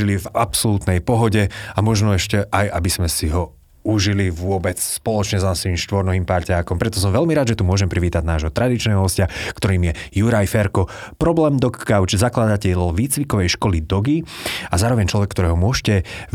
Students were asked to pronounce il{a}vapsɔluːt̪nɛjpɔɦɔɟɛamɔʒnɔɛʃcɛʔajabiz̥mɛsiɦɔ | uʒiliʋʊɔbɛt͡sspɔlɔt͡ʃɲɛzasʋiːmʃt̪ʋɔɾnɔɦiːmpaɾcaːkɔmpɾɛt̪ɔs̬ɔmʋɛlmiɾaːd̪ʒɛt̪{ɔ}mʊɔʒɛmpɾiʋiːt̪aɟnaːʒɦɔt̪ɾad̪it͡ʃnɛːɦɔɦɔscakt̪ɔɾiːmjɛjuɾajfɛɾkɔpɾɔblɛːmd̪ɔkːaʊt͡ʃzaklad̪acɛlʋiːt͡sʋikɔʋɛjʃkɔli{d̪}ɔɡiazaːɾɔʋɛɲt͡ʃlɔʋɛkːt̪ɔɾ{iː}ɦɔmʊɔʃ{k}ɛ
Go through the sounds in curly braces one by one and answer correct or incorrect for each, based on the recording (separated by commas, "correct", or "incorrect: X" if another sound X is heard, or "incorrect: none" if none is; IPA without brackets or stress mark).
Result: incorrect: i, incorrect: u, correct, incorrect: ɛː, incorrect: c